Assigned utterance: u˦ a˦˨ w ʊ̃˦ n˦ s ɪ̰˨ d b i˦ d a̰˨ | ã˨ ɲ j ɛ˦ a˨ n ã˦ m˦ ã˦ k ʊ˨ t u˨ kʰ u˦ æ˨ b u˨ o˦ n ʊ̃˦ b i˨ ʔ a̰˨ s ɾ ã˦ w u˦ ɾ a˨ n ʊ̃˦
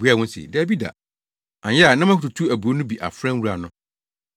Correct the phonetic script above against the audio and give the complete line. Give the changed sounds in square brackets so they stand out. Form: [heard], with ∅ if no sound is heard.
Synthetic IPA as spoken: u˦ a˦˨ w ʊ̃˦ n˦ s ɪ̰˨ d b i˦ d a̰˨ | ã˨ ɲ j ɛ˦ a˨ n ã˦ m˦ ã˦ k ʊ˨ t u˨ [tʰ] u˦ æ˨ b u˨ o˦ n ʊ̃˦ b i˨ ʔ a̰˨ [f] ɾ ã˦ w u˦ ɾ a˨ n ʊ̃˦